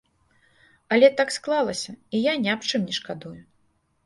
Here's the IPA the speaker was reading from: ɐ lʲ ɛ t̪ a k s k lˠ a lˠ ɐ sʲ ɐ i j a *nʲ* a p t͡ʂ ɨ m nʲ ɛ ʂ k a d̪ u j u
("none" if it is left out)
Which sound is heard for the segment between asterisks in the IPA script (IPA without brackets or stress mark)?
nʲ